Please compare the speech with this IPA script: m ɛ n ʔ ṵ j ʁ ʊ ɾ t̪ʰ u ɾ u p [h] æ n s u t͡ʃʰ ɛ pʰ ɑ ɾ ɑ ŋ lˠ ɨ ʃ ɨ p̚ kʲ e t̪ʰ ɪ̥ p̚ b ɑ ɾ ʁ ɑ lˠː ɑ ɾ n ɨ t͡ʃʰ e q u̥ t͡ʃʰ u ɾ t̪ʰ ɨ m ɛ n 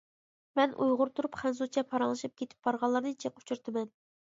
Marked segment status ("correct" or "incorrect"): incorrect